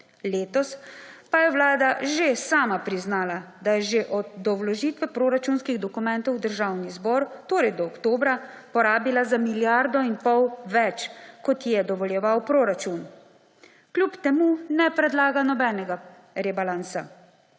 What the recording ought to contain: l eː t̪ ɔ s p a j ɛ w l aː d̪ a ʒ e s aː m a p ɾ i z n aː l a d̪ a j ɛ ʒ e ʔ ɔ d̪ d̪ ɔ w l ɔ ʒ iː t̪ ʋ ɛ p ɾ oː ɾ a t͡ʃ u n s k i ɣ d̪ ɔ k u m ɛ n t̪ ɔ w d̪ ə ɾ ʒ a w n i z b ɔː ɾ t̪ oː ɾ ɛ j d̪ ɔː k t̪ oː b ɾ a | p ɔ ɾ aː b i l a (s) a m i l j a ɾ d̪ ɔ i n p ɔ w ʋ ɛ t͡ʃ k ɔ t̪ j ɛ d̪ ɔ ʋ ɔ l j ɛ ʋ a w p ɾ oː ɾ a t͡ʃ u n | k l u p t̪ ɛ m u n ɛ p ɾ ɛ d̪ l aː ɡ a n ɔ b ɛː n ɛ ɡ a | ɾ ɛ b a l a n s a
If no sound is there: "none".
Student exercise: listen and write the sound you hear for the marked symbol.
z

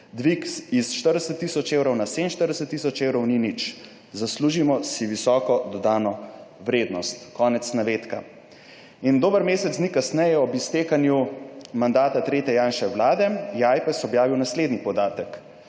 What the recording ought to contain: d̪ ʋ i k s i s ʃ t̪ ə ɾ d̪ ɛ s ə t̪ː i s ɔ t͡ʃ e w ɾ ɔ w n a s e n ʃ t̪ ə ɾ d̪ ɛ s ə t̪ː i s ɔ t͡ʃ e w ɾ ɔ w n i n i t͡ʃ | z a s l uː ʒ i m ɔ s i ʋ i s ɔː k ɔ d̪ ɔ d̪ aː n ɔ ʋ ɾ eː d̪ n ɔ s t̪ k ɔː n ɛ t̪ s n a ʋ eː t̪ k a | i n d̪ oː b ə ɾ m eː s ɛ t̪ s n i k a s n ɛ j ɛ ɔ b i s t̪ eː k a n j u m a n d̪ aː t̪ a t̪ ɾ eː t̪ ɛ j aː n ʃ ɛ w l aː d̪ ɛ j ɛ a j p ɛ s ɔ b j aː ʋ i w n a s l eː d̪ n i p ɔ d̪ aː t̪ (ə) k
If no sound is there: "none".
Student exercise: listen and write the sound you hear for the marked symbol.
ə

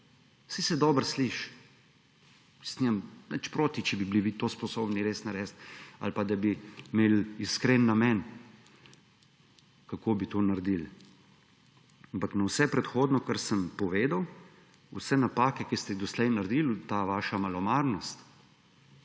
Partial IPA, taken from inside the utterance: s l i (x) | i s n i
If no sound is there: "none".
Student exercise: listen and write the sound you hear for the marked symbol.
ʃ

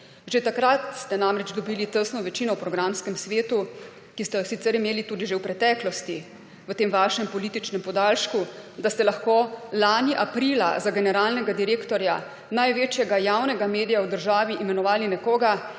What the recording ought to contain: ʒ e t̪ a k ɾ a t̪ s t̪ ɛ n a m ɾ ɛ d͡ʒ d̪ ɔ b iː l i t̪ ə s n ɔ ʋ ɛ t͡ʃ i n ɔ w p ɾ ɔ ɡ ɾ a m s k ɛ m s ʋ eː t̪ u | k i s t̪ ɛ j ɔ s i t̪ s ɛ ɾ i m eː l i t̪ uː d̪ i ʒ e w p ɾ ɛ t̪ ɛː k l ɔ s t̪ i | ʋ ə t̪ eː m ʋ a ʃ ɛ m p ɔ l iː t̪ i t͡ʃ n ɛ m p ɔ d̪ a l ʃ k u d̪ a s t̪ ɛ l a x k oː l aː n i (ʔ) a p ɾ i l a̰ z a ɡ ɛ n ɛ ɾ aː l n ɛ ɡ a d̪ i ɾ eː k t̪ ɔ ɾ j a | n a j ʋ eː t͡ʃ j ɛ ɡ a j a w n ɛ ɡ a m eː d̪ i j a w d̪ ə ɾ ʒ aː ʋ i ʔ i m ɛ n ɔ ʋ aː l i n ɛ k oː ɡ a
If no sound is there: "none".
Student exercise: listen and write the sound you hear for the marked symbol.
ʔ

